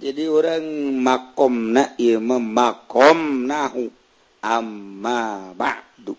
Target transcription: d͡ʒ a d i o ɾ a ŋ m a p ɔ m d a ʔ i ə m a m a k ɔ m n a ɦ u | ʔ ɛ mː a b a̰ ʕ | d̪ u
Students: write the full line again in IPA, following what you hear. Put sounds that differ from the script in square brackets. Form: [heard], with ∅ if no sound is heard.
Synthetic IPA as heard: d͡ʒ a d i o ɾ a ŋ m a [k] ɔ m [n] a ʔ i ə m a m a k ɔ m n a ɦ u | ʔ [a] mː a b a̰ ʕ | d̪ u